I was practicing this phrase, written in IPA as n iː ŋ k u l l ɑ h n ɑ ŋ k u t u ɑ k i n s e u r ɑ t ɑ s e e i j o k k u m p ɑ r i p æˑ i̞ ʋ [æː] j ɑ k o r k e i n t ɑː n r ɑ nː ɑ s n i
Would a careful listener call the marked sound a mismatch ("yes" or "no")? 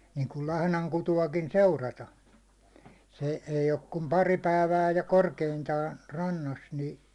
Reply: no